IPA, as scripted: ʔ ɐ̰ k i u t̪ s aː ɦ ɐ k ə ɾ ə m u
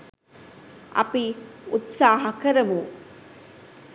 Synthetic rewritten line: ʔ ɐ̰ p i u t̪ s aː ɦ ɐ k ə ɾ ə m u

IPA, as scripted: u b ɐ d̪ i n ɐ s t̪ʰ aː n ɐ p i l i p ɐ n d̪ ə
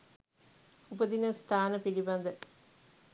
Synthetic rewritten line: u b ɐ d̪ i n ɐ s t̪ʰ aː n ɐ p i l i b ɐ n d̪ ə

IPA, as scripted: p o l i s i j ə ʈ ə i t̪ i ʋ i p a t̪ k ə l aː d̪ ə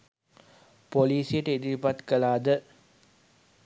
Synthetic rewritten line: p o l iː s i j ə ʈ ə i d̪ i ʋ i p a t̪ k ə l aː d̪ ə

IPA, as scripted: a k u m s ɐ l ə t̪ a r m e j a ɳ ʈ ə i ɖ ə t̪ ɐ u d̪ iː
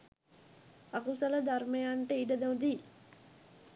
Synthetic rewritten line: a k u s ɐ l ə d̪ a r m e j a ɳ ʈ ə i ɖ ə d̪ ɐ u d̪ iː

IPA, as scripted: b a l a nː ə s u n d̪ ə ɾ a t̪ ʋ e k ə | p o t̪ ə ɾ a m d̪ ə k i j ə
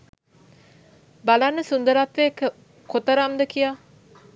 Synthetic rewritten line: b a l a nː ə s u n d̪ ə ɾ a t̪ ʋ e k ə | k o t̪ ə ɾ a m d̪ ə k i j a

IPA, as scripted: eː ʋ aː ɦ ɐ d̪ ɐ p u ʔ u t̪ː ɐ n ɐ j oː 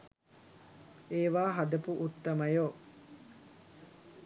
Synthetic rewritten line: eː ʋ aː ɦ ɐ d̪ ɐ p u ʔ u t̪ː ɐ m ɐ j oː

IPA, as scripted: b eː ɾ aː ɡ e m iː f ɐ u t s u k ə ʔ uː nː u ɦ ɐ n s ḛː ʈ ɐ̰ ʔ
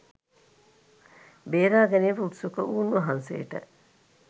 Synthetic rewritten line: b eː ɾ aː ɡ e n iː f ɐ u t s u k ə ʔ uː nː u ɦ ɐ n s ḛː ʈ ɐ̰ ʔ

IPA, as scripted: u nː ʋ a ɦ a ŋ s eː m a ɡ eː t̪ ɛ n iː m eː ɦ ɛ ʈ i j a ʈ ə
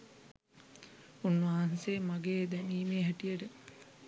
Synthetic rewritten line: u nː ʋ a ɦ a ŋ s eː m a ɡ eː d̪ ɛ n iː m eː ɦ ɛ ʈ i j ə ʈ ə

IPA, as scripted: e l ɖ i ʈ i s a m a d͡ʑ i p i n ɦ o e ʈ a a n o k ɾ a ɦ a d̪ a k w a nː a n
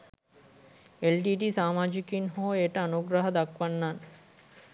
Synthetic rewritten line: e l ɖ i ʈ i s a m a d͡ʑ i k i n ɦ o e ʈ a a n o ɡ ɾ a ɦ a d̪ a k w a nː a n

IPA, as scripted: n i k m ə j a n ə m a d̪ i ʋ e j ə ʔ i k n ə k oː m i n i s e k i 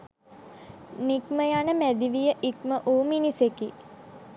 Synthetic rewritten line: n i k m ə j a n ə m æ d̪ i ʋ i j ə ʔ i k m ə ʔ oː m i n i s e k i

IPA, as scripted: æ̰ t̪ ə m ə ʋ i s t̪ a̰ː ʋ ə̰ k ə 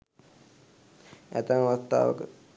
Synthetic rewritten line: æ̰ t̪ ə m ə ʋ a s t̪ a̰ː ʋ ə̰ k ə

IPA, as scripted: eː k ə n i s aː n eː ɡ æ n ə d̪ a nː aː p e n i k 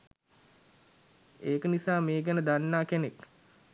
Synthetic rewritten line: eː k ə n i s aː m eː ɡ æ n ə d̪ a nː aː k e n e k

